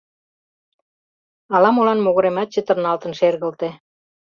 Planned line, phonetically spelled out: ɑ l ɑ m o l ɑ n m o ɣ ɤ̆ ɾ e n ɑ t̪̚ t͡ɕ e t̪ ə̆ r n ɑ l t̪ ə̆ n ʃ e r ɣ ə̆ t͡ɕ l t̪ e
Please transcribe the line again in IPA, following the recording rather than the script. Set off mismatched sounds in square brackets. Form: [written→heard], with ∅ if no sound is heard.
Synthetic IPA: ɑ l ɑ m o l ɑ n m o ɣ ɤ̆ ɾ e [n→m] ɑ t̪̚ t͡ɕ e t̪ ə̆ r n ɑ l t̪ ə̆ n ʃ e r ɣ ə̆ [t͡ɕ→∅] l t̪ e